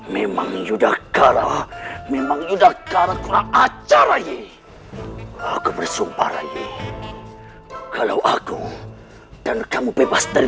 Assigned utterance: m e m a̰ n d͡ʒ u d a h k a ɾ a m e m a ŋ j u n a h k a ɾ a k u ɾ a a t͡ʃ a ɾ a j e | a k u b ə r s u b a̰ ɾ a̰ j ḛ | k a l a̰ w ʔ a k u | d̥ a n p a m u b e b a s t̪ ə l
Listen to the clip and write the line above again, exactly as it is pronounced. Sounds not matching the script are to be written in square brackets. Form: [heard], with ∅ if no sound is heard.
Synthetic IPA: m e m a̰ [ŋ] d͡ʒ u d a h k a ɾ a m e m a ŋ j u [d] a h k a ɾ a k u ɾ a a t͡ʃ a ɾ a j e | a k u b ə r s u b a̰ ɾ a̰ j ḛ | k a l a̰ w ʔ a k u | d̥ a n [k] a m u b e b a s t̪ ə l

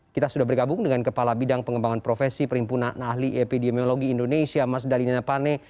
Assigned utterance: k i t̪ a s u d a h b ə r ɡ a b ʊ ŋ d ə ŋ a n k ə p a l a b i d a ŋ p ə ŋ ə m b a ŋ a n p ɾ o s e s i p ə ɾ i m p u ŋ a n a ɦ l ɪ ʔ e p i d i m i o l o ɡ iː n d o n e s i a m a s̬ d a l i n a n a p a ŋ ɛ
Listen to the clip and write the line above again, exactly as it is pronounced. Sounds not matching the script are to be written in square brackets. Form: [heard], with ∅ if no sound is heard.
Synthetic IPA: k i t̪ a s u d a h b ə r ɡ a b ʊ ŋ d ə ŋ a n k ə p a l a b i d a ŋ p ə ŋ ə m b a ŋ a n p ɾ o [f] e s i p ə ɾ i m p u [n] a n a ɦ l [i] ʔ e p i d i m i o l o ɡ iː n d o n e s i a m a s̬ d a l i n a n a p a [n] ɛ

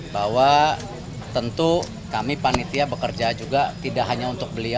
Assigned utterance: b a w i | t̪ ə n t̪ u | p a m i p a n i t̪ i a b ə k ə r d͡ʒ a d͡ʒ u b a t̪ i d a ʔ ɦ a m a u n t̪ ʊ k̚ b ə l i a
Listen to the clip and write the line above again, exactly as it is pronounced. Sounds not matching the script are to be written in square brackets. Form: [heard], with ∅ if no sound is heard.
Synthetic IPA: b a w [a] | t̪ ə n t̪ u | [k] a m i p a n i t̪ i a b ə k ə r d͡ʒ a d͡ʒ u [ɡ] a t̪ i d a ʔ ɦ a [ɲ] a u n t̪ ʊ k̚ b ə l i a

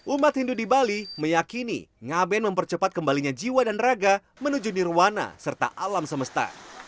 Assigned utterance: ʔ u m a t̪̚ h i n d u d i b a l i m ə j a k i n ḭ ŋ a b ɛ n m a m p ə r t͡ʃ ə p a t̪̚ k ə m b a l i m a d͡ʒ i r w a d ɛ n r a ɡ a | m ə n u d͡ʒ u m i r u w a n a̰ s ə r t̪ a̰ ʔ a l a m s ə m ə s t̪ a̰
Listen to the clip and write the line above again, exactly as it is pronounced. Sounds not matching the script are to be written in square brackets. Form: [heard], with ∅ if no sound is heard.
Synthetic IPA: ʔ u m a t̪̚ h i n d u d i b a l i m ə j a k i n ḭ ŋ a b ɛ n m [ə] m p ə r t͡ʃ ə p a t̪̚ k ə m b a l i [ɲ] a d͡ʒ i [∅] w a d [a] n r a ɡ a | m ə n u d͡ʒ u [n] i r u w a n a̰ s ə r t̪ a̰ ʔ a l a m s ə m ə s t̪ a̰

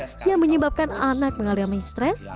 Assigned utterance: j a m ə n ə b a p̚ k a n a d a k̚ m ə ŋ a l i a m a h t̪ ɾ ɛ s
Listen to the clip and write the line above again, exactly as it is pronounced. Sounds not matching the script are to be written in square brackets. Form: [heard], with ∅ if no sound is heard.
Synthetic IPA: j a m ə [ɲ] ə b a p̚ k a n a [n] a k̚ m ə ŋ a l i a m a [s] t̪ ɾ ɛ s

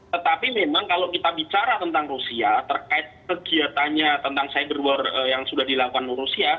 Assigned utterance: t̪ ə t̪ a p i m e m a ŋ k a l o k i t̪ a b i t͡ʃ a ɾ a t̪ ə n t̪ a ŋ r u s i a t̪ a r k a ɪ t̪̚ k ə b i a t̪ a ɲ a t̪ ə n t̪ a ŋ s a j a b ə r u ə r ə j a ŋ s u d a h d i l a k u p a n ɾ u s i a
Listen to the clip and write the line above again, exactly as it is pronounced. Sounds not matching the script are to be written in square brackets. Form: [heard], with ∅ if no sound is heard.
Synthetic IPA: t̪ ə t̪ a p i m e m a ŋ k a l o k i t̪ a b i t͡ʃ a ɾ a t̪ ə n t̪ a ŋ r u s i a t̪ [ə] r k a ɪ t̪̚ k ə [ɡ] i a t̪ a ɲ a t̪ ə n t̪ a ŋ s a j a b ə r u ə r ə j a ŋ s u d a h d i l a k u [k] a n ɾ u s i a

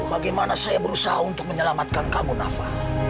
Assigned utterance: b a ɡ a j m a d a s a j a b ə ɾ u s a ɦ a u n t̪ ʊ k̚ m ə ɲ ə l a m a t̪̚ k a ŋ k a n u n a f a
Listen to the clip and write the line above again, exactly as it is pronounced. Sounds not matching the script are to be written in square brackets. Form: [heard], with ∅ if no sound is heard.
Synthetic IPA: b a ɡ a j m a [n] a s a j a b ə ɾ u s a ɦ a u n t̪ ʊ k̚ m ə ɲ ə l a m a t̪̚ k a [n] k a [m] u n a f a

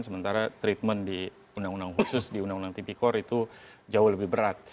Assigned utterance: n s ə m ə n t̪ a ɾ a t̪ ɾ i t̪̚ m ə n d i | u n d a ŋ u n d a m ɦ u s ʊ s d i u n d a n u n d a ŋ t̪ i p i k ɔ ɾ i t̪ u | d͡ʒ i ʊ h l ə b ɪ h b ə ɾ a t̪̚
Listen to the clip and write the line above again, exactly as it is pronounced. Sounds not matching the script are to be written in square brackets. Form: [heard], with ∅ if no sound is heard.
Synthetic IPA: n s ə m ə n t̪ a ɾ a t̪ ɾ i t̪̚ m ə n d i | u n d a ŋ u n d a [ŋ] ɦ u s ʊ s d i u n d a [ŋ] u n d a ŋ t̪ i p i k ɔ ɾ i t̪ u | d͡ʒ [a] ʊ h l ə b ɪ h b ə ɾ a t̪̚

